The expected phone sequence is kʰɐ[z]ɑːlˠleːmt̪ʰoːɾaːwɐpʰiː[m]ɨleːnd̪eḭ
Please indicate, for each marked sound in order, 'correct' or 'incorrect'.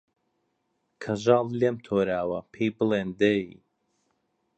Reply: incorrect: ʒ, incorrect: b

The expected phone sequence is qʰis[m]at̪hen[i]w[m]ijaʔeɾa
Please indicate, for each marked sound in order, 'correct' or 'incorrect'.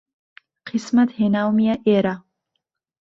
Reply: correct, incorrect: a, correct

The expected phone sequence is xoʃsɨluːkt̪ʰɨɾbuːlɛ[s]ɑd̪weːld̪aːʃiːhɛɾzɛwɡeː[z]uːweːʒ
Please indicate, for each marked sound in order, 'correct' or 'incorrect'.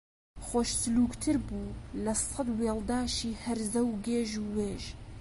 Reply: correct, incorrect: ʒ

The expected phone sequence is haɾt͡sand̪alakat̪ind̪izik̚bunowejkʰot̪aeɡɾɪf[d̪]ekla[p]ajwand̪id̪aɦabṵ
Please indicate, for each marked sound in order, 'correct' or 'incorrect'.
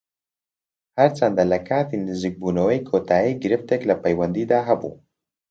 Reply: incorrect: t̪, correct

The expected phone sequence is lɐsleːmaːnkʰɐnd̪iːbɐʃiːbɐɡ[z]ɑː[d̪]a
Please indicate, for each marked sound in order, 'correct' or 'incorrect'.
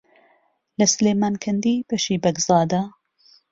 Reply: correct, correct

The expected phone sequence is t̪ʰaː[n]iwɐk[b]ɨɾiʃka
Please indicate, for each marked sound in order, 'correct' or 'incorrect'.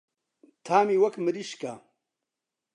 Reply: incorrect: m, incorrect: m

